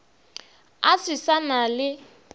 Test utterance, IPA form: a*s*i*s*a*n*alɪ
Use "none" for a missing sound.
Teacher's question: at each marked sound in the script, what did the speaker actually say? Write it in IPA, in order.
s, s, n

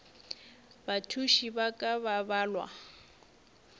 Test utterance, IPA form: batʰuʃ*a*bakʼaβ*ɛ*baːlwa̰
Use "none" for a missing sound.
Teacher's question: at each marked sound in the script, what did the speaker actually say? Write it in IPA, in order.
i, a

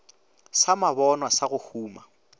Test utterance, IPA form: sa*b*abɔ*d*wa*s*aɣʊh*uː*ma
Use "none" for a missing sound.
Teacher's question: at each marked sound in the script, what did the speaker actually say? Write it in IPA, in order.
m, n, s, uː

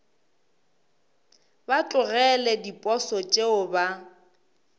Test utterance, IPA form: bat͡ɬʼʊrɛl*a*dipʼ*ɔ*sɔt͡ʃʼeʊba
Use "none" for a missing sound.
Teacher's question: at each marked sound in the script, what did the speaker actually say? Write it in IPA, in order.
ɛ, ɔ

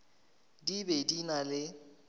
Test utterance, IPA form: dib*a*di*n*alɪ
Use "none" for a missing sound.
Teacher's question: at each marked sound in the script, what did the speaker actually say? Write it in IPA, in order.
e, n

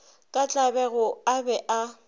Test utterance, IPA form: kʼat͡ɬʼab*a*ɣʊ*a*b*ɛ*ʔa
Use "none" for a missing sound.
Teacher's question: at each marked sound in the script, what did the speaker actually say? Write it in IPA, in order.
ɛ, a, ɛ

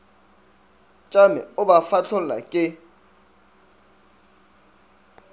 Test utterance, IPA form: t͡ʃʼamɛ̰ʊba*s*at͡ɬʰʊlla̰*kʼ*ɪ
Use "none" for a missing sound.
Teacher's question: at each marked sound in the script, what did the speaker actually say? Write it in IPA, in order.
f, kʼ

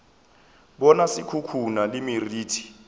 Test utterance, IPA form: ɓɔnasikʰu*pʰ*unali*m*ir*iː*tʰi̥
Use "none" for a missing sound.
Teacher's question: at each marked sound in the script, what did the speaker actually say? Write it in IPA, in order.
kʰ, m, iː

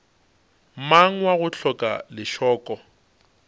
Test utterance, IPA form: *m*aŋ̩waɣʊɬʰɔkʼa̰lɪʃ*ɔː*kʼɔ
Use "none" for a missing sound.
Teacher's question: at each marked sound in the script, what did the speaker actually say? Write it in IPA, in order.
m, ɔː

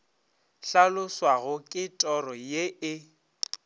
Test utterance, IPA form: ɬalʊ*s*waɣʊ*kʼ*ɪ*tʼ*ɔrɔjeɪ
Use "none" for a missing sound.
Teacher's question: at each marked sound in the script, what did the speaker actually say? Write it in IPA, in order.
s, kʼ, tʼ

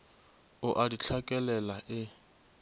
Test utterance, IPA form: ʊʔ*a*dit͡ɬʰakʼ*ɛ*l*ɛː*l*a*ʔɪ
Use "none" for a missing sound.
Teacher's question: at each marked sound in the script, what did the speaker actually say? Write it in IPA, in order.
a, ɛ, ɛ, a

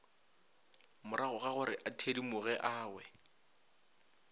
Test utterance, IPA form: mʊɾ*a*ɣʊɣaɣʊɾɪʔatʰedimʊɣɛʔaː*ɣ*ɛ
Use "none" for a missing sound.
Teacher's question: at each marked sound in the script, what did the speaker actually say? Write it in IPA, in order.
a, w

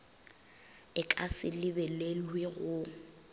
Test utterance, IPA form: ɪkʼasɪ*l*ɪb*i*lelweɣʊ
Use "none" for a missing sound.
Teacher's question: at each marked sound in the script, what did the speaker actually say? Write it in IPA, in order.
l, ɛ

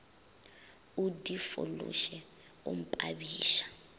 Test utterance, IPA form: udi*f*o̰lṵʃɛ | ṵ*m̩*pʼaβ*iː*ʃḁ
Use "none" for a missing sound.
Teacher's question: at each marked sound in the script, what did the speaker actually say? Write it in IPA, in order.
f, m̩, iː

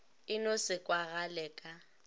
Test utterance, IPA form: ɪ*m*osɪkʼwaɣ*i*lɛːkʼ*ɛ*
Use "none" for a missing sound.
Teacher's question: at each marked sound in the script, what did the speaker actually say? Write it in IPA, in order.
n, a, a

